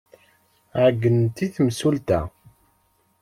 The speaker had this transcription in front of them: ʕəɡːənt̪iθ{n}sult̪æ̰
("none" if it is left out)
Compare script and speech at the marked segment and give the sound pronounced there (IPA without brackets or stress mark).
m